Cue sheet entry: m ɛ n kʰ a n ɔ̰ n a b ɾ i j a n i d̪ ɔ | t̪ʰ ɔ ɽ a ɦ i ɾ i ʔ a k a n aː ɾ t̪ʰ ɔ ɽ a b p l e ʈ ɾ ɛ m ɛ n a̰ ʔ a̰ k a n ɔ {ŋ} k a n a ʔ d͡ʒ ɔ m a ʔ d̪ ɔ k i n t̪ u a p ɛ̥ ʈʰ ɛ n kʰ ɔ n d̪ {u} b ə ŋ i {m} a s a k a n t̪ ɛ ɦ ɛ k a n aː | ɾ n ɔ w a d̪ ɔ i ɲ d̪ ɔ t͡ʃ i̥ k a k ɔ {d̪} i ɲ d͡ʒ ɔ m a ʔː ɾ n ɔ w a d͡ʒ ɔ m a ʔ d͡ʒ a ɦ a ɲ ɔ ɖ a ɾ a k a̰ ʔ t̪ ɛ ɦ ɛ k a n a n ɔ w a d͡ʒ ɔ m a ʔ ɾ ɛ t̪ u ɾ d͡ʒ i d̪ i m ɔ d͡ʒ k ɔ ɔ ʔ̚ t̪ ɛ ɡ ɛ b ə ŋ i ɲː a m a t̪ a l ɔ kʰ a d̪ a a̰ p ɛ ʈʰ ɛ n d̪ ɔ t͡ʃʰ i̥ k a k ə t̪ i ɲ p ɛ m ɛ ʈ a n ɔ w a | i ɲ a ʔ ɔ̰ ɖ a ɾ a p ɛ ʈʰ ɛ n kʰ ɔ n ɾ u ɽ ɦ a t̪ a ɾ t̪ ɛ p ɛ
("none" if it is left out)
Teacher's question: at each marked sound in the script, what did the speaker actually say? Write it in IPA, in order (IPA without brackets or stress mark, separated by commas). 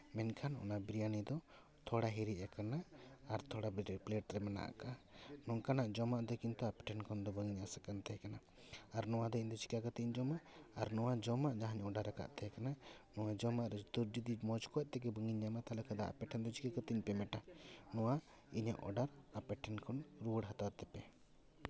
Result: ŋ, ɔ, ɲ, t̪